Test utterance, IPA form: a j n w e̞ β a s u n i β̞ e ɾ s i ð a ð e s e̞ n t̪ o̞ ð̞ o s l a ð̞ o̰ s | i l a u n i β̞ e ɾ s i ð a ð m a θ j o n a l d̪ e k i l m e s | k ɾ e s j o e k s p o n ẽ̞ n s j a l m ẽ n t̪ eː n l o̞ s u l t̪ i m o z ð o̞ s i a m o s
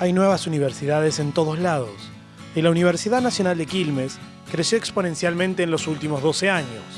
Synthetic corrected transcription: a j n w e̞ β a s u n i β̞ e ɾ s i ð a ð e s e̞ n t̪ o̞ ð̞ o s l a ð̞ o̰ s | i l a u n i β̞ e ɾ s i ð a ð n a s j o n a l d̪ e k i l m e s | k ɾ e s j o e k s p o n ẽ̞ n s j a l m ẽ n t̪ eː n l o̞ s u l t̪ i m o z ð o̞ s e a ɲ o s